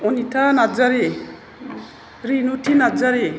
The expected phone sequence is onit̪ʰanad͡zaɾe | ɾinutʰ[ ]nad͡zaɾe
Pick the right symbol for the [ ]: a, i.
i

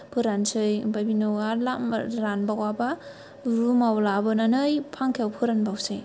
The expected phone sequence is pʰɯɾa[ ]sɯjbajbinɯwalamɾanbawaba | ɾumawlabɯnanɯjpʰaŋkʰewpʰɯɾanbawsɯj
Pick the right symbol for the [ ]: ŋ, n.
n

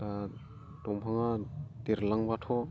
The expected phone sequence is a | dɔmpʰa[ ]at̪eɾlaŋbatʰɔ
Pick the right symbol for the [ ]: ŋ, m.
ŋ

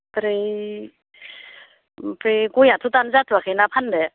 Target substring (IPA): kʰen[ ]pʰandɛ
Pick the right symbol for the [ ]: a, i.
a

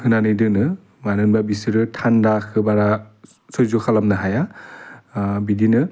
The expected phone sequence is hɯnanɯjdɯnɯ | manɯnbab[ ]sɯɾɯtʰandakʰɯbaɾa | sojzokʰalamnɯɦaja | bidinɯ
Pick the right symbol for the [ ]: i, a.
i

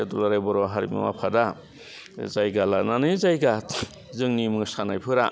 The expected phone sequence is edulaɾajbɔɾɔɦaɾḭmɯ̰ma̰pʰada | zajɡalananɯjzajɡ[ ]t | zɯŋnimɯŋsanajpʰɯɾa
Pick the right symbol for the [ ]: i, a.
a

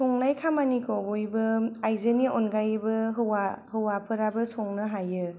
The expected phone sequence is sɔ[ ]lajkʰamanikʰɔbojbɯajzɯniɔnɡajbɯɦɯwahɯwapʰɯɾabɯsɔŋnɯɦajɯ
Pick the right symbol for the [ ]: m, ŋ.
ŋ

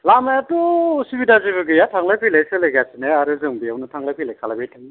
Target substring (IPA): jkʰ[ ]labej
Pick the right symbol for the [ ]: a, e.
a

